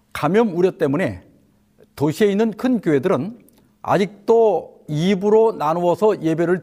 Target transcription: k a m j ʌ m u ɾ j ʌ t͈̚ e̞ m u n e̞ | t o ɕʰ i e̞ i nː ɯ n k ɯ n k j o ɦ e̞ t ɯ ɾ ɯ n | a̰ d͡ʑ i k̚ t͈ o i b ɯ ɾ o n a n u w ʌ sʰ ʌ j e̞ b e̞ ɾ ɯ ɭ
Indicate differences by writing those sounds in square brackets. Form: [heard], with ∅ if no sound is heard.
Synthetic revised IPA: k a m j ʌ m u ɾ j ʌ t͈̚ e̞ m u n e̞ | t o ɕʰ i e̞ i nː ɯ n [kʰ] ɯ n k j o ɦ e̞ [d] ɯ ɾ ɯ n | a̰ d͡ʑ i k̚ t͈ o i b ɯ ɾ o n a n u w ʌ sʰ ʌ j e̞ b e̞ ɾ ɯ ɭ